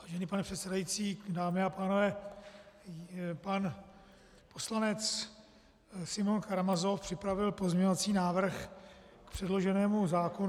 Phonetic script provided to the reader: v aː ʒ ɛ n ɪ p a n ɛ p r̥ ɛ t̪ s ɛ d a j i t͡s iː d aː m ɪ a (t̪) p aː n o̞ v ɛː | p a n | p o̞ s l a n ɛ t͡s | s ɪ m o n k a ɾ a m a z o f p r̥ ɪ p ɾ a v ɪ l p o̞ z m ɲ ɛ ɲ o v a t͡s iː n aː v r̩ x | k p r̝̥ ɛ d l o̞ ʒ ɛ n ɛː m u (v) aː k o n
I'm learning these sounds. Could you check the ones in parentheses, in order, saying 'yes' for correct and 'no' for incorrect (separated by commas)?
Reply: no, no